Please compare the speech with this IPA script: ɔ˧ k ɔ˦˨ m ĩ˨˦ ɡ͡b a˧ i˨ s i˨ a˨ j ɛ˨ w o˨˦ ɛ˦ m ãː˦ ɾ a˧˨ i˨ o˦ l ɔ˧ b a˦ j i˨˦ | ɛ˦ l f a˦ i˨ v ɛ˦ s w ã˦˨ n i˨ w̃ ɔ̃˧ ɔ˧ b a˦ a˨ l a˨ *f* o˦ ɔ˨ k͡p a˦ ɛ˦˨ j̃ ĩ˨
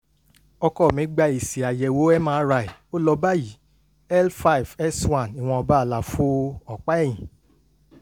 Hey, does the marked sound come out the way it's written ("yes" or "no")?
yes